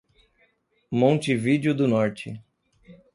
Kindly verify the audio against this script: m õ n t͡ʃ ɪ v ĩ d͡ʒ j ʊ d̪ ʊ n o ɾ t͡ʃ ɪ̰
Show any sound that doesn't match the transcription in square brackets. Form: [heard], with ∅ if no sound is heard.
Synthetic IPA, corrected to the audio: m õ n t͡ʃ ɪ v [i] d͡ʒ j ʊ d̪ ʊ n [ɔ] ɾ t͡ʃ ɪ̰